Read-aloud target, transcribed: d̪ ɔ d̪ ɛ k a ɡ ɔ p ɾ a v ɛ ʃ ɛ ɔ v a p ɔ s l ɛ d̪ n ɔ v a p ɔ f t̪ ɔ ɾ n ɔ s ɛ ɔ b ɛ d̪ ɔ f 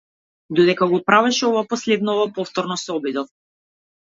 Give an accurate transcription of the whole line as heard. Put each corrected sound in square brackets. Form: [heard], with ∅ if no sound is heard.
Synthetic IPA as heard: d̪ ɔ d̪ ɛ k a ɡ ɔ p ɾ a v ɛ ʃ ɛ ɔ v a p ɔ s l ɛ d̪ n ɔ v a p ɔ f t̪ ɔ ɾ n ɔ s ɛ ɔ b [i] d̪ ɔ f